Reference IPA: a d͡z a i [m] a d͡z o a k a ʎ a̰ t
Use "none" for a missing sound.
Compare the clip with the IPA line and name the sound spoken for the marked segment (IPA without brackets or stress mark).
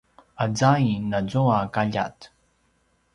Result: n